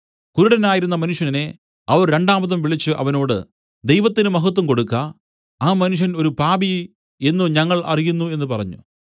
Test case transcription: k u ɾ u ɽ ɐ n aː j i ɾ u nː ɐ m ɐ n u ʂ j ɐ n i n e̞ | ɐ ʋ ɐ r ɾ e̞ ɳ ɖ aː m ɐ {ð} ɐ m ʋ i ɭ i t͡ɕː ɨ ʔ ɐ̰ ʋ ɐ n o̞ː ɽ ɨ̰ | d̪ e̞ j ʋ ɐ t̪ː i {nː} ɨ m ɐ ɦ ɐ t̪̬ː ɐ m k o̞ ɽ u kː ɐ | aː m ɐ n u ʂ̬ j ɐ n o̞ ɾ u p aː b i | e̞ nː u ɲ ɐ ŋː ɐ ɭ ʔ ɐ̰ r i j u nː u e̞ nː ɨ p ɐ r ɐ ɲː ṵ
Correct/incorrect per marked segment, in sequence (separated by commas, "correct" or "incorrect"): correct, incorrect